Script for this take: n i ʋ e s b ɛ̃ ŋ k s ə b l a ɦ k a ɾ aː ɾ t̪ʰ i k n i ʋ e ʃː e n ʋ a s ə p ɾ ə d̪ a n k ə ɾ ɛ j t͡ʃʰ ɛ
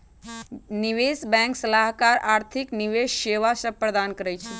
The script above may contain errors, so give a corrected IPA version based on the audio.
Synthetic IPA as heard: n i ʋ e s b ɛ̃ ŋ k s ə l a ɦ k a ɾ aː ɾ t̪ʰ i k n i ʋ e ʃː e ʋ a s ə p ɾ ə d̪ a n k ə ɾ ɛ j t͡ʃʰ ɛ